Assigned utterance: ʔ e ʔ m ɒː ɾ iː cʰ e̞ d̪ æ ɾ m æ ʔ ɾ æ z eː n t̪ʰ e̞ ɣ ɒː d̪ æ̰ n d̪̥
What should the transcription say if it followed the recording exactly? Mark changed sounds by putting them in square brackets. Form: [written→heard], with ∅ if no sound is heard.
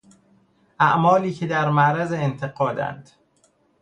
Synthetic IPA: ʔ [e→æ] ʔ m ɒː [ɾ→l] iː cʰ e̞ d̪ æ ɾ m æ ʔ ɾ æ z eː n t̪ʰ e̞ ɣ ɒː d̪ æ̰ n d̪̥